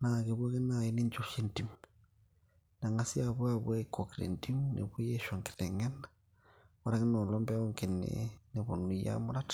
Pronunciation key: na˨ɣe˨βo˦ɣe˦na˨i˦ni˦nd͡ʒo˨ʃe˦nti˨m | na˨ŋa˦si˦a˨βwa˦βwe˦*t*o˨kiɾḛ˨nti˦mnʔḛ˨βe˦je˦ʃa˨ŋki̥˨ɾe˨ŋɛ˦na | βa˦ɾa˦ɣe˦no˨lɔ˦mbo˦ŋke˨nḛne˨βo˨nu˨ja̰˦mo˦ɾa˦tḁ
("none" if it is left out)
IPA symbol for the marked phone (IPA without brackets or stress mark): k